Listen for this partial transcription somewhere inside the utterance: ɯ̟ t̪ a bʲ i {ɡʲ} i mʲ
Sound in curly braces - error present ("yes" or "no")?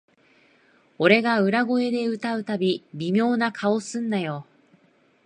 yes